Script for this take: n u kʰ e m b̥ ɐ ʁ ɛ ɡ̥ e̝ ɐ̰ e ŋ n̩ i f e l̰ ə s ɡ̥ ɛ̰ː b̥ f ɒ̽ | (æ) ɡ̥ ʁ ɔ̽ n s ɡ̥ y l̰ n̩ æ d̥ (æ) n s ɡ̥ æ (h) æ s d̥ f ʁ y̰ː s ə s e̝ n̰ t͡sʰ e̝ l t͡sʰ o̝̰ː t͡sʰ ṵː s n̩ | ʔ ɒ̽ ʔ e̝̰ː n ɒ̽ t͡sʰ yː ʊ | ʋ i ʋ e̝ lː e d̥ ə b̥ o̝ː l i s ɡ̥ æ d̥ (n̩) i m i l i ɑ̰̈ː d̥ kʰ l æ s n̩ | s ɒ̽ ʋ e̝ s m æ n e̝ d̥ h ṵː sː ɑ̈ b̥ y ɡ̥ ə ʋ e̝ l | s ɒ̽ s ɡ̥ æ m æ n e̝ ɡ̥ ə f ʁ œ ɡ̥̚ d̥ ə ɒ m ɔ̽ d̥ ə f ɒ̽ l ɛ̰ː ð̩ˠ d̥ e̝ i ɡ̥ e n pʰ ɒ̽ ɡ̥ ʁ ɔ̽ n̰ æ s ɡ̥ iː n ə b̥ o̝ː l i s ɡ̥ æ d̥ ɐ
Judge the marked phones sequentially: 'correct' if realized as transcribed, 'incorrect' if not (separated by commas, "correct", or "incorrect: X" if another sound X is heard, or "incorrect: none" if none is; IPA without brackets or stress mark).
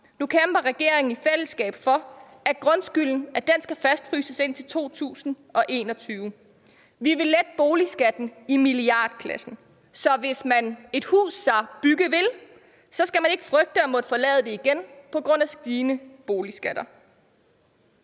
correct, incorrect: e, incorrect: f, correct